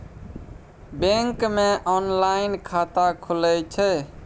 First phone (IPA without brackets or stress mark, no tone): b